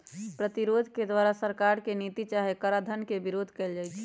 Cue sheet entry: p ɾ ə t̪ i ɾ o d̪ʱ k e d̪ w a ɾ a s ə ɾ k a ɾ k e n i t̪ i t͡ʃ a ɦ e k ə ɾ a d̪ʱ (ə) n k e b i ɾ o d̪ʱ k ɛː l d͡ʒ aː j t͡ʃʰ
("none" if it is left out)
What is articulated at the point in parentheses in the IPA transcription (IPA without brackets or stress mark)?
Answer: ə